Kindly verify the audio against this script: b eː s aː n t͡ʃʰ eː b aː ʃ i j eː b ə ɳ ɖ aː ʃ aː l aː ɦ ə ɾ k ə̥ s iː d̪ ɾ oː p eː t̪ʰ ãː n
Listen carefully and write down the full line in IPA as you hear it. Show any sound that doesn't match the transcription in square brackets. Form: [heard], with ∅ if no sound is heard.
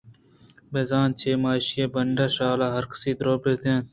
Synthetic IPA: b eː [z] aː n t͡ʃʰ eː [m] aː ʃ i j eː b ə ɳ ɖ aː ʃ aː l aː ɦ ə ɾ k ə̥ s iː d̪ ɾ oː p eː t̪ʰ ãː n